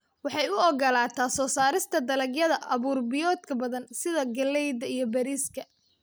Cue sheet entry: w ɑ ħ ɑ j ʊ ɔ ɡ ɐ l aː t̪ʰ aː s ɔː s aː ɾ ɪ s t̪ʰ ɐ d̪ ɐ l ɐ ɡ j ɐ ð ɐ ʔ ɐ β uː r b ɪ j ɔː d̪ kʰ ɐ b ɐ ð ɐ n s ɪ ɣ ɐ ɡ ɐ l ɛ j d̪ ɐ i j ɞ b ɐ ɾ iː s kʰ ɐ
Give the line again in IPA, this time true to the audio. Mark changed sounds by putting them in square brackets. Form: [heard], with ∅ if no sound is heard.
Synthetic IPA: w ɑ ħ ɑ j ʊ ɔ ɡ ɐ l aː t̪ʰ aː s ɔː s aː ɾ ɪ s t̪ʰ ɐ d̪ ɐ l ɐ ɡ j ɐ ð ɐ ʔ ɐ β uː r b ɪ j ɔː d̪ kʰ ɐ b ɐ ð ɐ n s ɪ [ð] ɐ ɡ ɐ l ɛ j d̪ ɐ i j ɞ b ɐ ɾ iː s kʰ ɐ